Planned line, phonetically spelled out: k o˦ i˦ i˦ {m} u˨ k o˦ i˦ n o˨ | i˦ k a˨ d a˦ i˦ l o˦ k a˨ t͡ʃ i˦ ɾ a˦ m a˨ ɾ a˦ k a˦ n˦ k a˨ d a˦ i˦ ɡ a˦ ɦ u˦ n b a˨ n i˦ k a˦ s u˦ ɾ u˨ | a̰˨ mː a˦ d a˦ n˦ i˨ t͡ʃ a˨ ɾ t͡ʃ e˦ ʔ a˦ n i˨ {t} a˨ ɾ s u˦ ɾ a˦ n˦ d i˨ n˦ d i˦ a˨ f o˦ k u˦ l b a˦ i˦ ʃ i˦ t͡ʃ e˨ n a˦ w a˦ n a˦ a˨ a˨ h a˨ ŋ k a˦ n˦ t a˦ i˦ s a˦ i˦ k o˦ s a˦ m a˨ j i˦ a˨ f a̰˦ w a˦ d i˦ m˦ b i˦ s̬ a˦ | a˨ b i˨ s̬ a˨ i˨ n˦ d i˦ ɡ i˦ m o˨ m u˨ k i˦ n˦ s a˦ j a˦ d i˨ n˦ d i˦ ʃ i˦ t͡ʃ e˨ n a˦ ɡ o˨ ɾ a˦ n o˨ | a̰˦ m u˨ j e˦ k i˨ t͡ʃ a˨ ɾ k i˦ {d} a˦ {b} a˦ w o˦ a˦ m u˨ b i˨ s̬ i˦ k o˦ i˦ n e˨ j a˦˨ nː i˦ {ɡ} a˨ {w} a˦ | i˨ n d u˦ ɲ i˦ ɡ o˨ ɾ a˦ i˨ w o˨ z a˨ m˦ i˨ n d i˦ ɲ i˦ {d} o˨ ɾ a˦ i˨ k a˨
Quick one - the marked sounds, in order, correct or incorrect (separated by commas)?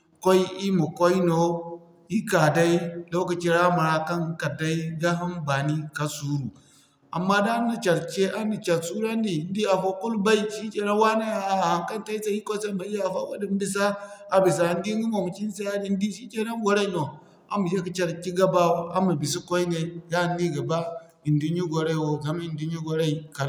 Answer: correct, incorrect, incorrect, correct, correct, incorrect, incorrect